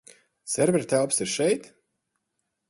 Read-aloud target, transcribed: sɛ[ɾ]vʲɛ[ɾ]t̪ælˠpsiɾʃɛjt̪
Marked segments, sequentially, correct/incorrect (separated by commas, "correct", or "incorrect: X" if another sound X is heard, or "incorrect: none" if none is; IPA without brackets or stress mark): correct, correct